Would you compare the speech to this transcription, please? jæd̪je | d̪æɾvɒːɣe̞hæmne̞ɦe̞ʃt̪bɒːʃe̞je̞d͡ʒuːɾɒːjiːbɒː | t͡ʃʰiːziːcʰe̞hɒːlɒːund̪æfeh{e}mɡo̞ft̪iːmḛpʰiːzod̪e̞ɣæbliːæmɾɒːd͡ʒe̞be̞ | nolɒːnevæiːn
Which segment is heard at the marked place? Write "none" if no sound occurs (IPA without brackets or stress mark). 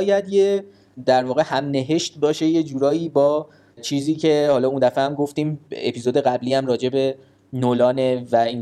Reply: æ